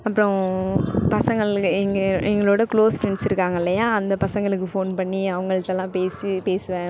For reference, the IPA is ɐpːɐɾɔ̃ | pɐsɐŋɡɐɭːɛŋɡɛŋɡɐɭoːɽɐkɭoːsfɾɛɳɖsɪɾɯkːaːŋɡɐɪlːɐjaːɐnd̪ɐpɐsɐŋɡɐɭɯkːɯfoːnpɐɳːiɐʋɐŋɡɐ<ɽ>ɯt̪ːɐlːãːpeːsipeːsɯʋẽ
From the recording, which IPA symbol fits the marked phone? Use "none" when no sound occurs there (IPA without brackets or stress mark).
ɭ